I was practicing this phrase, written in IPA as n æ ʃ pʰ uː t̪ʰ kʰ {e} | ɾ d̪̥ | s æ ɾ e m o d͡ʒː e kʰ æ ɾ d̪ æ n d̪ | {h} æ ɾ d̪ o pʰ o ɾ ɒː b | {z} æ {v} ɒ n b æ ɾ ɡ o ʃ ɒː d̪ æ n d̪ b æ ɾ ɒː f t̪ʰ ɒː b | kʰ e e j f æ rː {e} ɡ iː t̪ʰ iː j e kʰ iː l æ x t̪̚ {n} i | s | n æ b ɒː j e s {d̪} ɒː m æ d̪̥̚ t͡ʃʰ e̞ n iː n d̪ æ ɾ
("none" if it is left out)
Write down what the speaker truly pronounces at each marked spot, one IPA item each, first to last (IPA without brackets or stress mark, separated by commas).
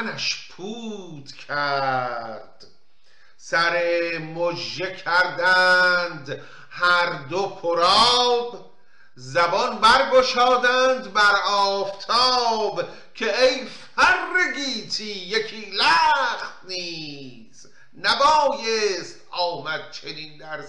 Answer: æ, h, z, b, e, n, t̪